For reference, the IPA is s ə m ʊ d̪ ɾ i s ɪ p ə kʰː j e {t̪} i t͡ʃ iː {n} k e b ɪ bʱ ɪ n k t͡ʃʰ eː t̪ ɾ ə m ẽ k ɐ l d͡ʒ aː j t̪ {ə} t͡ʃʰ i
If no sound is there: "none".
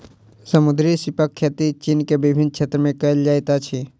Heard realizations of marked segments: t̪, n, a

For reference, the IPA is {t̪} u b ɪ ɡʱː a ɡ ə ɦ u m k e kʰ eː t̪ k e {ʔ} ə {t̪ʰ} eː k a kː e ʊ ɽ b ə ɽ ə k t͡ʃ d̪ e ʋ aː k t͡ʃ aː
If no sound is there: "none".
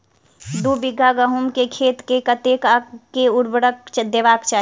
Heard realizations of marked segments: d̪, k, t̪

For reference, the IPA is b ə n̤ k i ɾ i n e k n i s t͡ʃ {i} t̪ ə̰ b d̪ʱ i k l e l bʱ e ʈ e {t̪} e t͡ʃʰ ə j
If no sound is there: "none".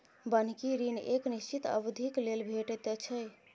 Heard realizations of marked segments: i, t̪

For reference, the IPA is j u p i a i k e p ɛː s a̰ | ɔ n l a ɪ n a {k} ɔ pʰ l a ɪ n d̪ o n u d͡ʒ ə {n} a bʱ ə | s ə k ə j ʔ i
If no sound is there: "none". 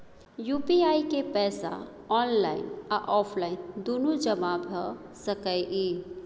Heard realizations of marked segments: ʔ, m

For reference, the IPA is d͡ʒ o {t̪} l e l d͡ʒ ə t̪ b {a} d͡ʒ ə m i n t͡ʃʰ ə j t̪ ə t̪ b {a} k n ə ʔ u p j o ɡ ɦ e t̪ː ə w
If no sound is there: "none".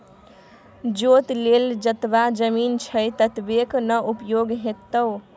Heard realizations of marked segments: t̪, a, e

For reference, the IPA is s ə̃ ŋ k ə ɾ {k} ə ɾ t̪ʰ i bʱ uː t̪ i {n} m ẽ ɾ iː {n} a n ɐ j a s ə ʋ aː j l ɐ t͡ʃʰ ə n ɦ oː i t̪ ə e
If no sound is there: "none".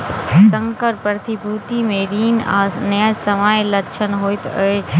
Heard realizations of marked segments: p, none, n

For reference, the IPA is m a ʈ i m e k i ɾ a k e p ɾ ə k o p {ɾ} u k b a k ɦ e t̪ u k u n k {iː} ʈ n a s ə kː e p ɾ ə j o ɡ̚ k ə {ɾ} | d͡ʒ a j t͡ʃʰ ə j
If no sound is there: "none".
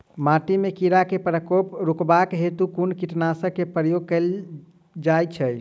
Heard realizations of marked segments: ɾ, i, l

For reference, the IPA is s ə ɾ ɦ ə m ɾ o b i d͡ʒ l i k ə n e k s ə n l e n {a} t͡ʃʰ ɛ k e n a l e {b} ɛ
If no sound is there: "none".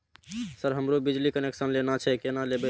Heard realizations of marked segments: a, b

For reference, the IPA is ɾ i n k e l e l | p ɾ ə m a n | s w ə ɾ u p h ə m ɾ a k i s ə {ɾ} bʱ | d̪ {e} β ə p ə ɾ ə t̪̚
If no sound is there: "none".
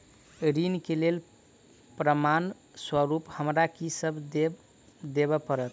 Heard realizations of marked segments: none, e

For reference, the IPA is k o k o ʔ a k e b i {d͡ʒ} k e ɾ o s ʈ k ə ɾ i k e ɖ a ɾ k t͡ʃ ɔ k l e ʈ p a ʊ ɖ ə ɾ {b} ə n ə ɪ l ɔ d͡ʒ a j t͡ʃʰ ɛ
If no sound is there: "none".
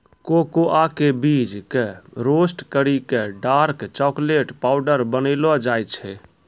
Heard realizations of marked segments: d͡ʒ, b

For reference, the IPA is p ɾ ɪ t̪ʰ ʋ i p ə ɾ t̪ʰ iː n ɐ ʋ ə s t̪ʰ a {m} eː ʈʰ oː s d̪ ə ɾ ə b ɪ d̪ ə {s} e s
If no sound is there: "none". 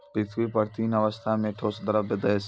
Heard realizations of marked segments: m, none

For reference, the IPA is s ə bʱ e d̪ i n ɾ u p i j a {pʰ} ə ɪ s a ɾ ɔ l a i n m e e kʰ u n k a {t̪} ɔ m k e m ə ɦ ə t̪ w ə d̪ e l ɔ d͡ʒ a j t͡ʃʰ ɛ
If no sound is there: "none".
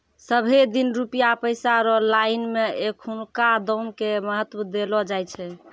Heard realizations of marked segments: p, d̪

